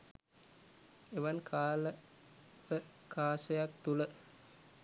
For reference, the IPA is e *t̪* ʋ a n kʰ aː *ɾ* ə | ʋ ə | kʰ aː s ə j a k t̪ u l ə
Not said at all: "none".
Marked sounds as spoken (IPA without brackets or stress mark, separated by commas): none, l